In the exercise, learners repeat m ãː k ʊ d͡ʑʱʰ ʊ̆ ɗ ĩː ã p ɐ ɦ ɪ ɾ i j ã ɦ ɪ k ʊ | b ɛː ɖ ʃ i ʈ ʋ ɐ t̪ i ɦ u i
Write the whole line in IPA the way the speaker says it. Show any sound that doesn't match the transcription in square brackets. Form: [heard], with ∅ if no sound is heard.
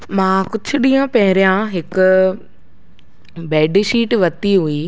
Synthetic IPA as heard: m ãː k ʊ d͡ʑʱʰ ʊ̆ ɗ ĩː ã p ɐ ɦ ɪ ɾ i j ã ɦ ɪ k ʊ | b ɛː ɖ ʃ [iː] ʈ ʋ ɐ t̪ i ɦ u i